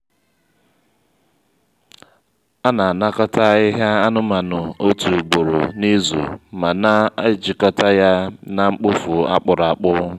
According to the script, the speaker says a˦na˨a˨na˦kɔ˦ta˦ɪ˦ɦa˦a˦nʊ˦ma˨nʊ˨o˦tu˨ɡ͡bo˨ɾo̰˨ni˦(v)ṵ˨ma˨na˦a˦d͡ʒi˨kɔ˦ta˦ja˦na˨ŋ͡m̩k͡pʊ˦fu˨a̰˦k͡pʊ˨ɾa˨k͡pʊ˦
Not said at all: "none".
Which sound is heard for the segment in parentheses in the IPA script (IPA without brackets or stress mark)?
z